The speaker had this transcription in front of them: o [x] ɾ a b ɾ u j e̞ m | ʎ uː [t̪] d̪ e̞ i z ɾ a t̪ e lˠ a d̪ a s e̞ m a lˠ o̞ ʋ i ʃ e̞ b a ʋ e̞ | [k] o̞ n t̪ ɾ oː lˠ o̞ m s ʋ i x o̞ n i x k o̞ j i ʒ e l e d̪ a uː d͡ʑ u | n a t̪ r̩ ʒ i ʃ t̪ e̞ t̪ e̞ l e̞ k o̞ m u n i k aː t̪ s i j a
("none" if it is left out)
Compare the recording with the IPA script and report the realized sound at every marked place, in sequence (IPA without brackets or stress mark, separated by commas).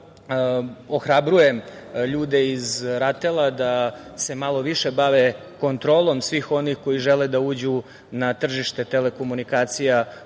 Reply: x, none, k